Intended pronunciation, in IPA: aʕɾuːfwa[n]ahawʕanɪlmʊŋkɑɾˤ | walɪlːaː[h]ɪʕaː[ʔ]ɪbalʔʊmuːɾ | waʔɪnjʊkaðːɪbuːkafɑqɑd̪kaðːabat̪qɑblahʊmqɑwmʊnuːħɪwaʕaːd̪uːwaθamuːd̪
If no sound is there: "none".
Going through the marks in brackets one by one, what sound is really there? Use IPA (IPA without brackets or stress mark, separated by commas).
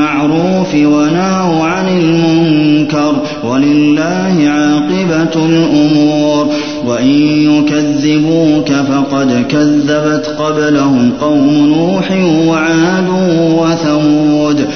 n, h, q